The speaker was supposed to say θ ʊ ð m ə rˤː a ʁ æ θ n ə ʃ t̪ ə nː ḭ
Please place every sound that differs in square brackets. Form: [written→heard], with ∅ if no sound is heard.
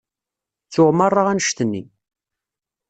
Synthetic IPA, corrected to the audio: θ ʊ [ð→ʁ] m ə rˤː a ʁ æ [θ→∅] n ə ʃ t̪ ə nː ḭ